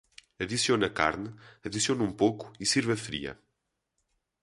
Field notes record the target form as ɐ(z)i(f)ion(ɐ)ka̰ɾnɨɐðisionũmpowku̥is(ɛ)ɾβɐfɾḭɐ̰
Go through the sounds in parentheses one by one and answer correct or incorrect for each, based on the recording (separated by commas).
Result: incorrect, incorrect, correct, incorrect